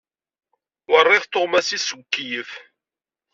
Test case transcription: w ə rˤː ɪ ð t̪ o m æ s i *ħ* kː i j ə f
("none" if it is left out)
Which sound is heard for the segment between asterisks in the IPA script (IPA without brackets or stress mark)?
s